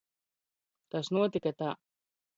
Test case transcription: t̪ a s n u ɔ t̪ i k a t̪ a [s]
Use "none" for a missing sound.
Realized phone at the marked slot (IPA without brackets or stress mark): none